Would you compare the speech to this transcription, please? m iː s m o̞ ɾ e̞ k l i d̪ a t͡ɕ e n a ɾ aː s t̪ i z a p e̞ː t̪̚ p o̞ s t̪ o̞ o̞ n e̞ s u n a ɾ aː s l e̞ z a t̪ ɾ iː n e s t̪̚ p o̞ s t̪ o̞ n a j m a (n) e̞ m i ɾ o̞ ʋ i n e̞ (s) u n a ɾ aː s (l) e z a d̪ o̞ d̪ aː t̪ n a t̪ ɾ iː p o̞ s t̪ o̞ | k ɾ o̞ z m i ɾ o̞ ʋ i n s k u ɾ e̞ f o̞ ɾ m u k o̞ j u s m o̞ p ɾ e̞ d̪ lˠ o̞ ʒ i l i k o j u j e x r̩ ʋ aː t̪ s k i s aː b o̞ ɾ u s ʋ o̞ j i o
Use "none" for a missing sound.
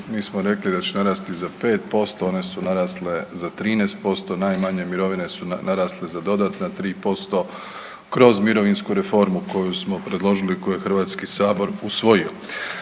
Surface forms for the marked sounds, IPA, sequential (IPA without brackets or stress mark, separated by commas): ɲ, s, l